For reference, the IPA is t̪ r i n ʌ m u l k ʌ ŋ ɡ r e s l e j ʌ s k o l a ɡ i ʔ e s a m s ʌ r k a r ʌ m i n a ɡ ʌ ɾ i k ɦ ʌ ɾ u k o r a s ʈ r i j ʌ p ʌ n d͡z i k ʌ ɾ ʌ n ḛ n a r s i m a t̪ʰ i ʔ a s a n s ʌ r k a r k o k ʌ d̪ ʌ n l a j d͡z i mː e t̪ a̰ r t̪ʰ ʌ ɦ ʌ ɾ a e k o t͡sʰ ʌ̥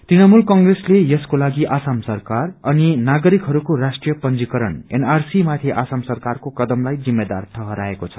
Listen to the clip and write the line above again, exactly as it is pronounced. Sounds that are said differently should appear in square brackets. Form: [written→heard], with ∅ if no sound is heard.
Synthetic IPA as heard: t̪ r i n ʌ m u l k ʌ ŋ ɡ r e s l e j ʌ s k o l a ɡ i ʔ [e→a] s a m s ʌ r k a r ʌ [m→n] i n a ɡ ʌ ɾ i k ɦ ʌ ɾ u k o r a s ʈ r i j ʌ p ʌ n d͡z i k ʌ ɾ ʌ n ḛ n a r s i m a t̪ʰ i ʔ a s a [n→m] s ʌ r k a r k o k ʌ d̪ ʌ [n→m] l a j d͡z i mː e [t̪→d̪] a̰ r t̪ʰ ʌ ɦ ʌ ɾ a e k o t͡sʰ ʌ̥